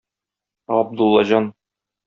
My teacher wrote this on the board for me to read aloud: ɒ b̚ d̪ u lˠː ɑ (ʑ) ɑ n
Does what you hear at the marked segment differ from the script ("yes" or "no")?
no